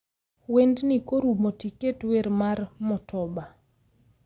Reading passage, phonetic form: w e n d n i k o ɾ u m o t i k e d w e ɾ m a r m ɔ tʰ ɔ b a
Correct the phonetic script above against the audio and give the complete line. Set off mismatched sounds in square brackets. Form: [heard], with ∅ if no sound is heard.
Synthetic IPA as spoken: w e n d n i k o ɾ u m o t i k e [t] w e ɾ m a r m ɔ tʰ ɔ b a